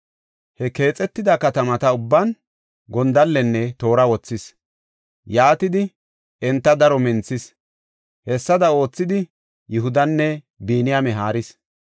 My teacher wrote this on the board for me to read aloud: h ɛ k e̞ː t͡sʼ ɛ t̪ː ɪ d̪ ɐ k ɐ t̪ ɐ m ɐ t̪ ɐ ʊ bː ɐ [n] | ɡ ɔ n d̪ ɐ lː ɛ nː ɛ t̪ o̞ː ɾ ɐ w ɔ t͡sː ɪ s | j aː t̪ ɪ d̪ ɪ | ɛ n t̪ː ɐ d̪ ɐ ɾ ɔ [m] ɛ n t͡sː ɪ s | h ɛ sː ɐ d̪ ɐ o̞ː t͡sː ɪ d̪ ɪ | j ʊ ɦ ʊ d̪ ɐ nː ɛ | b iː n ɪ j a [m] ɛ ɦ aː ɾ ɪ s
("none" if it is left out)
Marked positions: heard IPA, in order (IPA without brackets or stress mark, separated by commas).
n, m, m